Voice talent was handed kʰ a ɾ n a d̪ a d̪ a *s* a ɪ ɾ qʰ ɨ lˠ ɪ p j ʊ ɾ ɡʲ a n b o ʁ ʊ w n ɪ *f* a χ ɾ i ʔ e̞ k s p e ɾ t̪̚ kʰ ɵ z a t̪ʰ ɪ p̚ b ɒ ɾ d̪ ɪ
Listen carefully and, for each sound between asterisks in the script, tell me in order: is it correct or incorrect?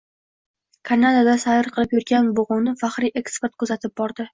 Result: correct, correct

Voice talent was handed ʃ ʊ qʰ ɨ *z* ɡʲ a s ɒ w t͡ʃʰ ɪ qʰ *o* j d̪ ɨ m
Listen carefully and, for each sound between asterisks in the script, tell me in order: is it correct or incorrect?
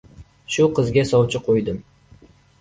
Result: correct, correct

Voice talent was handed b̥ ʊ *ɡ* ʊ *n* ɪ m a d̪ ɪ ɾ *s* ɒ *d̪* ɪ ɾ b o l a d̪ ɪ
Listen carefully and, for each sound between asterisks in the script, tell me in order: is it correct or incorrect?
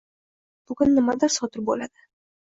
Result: correct, incorrect, correct, incorrect

